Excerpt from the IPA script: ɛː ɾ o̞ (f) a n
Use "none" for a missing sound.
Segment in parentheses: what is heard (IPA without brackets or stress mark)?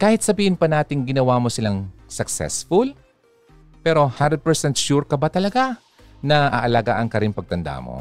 h